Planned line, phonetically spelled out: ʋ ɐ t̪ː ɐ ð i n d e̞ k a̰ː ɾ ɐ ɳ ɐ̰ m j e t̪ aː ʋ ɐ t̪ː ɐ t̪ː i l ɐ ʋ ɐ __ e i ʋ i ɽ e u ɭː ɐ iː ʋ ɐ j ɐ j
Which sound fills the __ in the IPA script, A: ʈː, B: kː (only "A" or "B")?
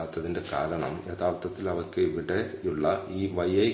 B